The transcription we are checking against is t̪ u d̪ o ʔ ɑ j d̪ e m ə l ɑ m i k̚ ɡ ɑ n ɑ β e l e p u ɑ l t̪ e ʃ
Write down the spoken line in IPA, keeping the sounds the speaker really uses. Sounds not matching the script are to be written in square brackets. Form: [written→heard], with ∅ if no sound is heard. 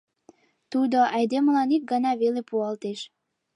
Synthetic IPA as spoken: t̪ u d̪ o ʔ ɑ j d̪ e m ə l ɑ [m→n] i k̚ ɡ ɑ n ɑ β e l e p u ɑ l t̪ e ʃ